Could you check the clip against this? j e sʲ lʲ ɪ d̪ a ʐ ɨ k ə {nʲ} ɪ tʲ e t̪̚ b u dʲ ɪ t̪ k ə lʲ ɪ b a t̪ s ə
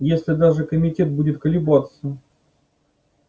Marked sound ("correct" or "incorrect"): incorrect